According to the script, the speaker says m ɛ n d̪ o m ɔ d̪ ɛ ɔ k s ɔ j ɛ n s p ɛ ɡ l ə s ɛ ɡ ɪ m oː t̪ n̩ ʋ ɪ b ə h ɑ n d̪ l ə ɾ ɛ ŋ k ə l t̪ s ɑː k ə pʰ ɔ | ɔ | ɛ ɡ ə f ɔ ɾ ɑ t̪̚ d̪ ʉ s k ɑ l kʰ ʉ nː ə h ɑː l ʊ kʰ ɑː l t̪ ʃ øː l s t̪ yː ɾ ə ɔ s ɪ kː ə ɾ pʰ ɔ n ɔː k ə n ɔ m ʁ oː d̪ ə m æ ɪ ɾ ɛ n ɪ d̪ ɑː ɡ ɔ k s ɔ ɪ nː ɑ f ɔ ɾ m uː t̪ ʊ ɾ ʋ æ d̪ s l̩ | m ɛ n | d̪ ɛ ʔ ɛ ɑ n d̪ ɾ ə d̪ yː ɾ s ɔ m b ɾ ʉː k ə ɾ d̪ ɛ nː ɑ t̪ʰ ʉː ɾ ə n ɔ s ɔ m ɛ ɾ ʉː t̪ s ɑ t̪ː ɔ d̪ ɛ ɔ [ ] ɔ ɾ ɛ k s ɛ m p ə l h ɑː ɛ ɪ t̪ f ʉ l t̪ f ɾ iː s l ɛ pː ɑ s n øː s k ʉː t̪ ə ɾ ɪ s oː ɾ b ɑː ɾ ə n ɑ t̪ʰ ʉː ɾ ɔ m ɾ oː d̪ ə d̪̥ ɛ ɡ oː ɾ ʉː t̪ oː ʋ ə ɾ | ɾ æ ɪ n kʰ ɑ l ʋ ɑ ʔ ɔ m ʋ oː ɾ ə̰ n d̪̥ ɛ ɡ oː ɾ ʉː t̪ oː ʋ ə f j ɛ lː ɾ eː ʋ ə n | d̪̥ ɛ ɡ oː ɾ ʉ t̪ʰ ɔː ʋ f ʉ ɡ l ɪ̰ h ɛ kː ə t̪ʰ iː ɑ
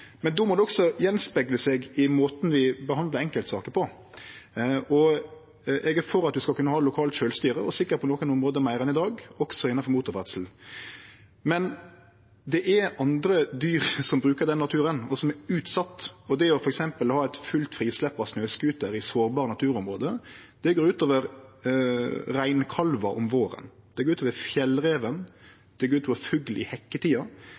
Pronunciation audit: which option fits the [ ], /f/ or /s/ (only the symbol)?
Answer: f